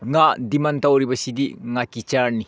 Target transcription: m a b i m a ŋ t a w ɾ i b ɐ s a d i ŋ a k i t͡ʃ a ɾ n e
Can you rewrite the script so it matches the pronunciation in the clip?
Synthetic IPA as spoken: ŋ a d i m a n t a w ɾ i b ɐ s i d i ŋ a k i t͡ʃ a ɾ n i